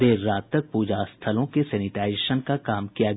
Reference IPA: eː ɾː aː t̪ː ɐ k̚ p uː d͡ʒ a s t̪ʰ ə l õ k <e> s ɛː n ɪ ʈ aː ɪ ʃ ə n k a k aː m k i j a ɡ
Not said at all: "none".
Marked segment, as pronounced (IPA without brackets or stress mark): e